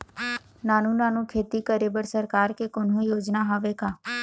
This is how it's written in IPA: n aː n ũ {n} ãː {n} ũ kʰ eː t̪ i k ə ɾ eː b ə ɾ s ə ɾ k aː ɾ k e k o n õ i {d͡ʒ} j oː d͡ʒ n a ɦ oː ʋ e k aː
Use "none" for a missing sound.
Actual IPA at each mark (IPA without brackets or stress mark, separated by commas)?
n, n, none